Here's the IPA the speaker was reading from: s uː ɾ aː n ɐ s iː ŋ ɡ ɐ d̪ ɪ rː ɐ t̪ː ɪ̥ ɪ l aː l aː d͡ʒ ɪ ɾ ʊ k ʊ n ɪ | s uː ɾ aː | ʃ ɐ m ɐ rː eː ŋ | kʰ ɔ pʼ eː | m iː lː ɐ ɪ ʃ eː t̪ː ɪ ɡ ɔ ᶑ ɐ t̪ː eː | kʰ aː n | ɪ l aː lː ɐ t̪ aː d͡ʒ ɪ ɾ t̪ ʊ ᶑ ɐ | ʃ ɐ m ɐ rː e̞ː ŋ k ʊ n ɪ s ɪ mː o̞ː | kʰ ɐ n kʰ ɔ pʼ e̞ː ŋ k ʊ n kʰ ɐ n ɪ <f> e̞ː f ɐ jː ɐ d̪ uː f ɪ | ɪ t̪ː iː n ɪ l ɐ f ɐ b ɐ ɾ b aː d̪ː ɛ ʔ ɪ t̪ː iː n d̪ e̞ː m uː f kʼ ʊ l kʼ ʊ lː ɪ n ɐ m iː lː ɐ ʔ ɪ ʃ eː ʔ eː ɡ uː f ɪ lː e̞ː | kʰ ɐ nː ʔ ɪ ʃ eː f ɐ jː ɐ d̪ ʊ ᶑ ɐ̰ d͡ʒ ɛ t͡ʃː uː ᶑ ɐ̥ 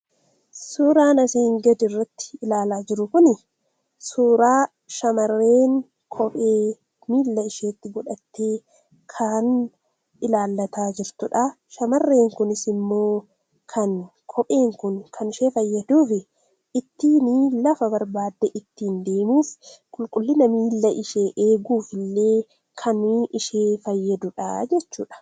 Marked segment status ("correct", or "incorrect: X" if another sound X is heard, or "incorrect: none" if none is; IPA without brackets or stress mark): incorrect: ʃ